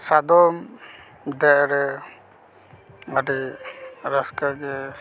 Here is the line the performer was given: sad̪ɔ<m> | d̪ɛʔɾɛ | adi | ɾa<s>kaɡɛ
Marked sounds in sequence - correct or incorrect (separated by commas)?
correct, correct